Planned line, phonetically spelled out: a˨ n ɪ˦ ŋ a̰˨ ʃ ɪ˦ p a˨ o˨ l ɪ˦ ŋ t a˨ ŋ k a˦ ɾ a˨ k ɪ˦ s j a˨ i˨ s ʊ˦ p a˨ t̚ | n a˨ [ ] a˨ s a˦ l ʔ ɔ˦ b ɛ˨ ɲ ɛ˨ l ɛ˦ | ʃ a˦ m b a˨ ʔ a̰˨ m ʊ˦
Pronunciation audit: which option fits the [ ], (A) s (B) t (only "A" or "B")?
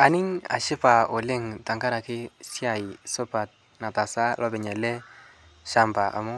B